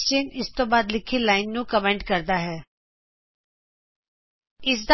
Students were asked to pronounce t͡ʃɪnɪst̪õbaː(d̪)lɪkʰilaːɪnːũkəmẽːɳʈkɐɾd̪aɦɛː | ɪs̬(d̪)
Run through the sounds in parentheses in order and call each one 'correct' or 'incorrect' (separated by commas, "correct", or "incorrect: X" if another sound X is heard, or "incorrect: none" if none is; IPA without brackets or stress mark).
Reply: correct, correct